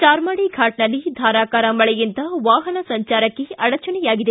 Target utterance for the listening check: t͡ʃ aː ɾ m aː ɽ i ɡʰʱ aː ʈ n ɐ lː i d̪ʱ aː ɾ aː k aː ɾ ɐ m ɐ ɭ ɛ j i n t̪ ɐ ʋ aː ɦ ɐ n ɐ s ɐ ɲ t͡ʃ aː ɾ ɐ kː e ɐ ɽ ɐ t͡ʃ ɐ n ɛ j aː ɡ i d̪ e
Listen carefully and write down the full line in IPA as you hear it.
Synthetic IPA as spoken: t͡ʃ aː ɾ m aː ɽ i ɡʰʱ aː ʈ n ɐ lː i d̪ʱ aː ɾ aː k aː ɾ ɐ m ɐ ɭ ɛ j i n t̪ ɐ ʋ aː ɦ ɐ n ɐ s ɐ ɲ t͡ʃ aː ɾ ɐ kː e ɐ ɽ ɐ t͡ʃ ɐ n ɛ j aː ɡ i d̪ e